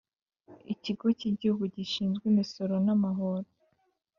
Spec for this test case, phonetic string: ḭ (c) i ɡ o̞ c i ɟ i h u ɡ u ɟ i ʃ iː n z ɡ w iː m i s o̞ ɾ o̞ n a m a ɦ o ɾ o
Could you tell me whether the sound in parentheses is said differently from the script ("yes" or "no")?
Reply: no